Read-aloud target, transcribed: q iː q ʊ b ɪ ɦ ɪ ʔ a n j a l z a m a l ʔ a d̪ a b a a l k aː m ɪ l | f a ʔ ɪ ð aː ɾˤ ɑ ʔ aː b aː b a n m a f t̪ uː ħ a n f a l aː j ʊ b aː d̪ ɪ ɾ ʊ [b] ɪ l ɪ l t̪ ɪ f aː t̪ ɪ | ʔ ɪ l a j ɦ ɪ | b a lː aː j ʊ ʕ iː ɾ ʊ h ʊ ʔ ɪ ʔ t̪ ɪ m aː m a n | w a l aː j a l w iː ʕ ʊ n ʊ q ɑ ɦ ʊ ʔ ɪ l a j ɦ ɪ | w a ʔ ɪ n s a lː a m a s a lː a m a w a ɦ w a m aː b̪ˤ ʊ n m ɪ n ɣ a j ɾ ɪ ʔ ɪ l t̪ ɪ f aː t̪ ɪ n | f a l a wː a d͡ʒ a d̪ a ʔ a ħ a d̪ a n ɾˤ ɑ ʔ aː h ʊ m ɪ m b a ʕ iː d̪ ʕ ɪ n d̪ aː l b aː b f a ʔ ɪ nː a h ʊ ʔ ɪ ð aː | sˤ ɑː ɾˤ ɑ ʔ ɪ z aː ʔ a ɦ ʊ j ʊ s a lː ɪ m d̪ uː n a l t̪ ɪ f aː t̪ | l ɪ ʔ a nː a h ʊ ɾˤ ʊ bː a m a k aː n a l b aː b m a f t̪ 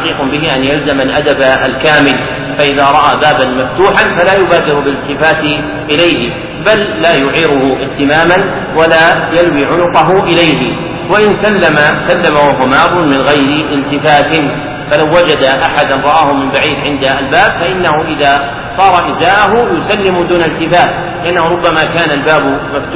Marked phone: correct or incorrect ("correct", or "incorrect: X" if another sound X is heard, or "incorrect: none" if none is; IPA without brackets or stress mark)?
correct